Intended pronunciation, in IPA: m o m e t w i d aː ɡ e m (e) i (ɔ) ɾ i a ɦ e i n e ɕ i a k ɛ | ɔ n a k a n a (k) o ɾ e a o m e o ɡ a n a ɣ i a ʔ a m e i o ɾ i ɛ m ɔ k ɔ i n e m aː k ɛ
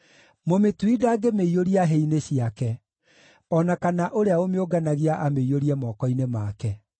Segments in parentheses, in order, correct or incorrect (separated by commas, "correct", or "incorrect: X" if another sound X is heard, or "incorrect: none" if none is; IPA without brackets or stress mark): correct, incorrect: o, incorrect: ʔ